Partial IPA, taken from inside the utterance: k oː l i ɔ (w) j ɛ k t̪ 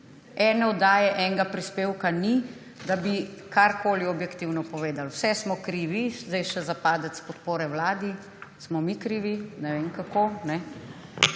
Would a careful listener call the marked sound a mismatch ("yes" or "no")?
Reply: yes